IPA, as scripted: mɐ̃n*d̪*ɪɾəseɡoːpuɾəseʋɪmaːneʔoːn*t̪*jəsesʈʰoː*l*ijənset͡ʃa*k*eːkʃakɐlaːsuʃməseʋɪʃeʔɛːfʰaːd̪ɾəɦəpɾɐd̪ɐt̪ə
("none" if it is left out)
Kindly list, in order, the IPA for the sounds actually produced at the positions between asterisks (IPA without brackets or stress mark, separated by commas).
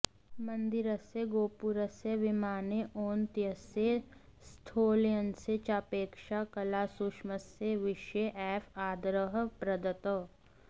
d̪, t̪, l, p